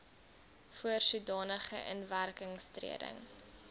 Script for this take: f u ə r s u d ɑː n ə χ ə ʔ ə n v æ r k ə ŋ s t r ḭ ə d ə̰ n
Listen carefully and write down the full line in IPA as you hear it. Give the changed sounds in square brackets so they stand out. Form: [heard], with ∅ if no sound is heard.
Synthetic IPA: f u ə r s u d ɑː n ə χ ə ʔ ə n v æ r k ə ŋ s t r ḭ ə d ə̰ [ŋ]